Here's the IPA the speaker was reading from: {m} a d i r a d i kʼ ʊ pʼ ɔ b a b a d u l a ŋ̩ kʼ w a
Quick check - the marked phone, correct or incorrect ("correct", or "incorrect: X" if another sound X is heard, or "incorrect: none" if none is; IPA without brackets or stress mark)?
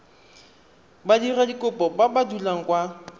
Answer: incorrect: b